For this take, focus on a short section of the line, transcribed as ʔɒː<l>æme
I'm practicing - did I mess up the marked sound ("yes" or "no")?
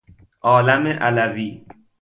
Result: no